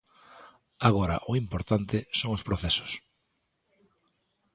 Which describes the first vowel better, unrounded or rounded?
unrounded